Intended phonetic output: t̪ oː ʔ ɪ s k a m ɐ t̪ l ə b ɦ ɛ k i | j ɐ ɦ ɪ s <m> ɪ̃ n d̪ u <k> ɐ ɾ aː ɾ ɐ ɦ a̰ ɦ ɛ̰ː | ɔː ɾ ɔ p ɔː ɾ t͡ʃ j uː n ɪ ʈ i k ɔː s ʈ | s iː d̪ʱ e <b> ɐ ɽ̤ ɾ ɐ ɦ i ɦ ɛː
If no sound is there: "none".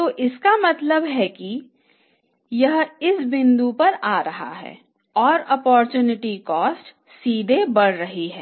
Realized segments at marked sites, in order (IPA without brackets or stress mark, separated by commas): b, p, b